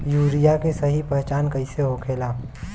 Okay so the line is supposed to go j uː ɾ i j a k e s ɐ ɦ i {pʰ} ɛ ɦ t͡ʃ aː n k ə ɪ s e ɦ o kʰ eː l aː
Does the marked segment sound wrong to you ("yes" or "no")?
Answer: yes